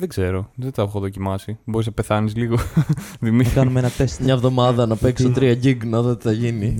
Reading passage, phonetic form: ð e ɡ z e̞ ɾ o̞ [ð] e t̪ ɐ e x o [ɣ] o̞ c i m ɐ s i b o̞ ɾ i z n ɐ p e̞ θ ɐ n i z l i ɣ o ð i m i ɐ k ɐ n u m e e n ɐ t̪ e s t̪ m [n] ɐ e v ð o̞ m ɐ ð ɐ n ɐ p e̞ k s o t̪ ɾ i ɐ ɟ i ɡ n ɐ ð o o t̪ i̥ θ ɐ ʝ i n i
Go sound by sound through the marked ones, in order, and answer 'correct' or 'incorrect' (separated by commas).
correct, incorrect, incorrect